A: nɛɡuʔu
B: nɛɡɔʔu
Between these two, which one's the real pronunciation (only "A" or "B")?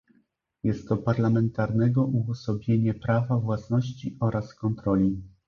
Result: B